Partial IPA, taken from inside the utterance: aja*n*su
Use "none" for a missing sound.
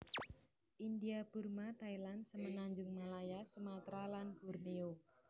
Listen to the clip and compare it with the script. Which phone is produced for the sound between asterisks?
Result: none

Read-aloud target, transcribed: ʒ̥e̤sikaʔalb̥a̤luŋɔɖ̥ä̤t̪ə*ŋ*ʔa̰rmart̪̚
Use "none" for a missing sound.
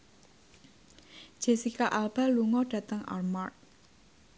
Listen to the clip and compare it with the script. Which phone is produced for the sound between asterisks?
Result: ŋ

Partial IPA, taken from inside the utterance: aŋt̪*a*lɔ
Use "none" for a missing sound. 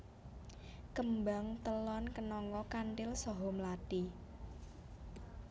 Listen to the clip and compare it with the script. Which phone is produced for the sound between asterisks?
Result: ə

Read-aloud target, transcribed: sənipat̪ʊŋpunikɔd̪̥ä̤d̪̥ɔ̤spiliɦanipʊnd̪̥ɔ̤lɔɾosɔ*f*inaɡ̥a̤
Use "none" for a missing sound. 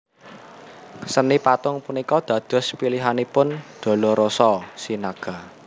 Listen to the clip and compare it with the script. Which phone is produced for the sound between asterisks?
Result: s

